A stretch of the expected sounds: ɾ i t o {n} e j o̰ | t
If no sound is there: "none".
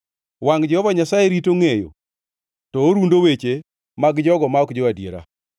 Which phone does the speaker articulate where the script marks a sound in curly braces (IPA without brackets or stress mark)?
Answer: ŋ